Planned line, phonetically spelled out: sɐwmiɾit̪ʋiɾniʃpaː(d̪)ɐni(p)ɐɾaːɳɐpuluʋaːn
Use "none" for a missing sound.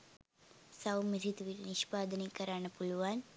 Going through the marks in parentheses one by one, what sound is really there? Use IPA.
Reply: d̪, k

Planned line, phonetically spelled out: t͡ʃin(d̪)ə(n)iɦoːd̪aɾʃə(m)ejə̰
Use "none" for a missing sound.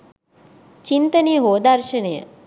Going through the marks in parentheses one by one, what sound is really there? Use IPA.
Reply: t̪, n, n

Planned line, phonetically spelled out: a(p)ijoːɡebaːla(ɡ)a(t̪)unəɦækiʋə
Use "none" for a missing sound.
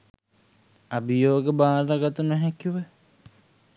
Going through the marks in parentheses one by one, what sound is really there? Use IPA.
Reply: b, ɡ, t̪

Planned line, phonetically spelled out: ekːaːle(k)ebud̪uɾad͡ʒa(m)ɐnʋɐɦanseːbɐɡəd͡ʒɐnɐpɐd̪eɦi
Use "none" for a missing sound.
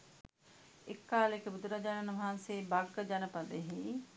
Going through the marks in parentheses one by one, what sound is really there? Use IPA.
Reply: k, n

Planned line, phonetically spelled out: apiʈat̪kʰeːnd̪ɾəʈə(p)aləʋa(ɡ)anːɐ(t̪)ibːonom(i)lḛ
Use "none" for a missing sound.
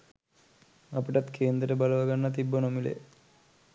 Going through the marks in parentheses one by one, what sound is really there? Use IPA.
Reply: b, ɡ, t̪, i

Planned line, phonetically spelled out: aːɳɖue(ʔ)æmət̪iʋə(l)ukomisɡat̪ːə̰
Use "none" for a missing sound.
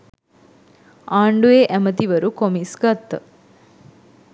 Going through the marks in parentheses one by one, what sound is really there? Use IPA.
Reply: ʔ, ɾ

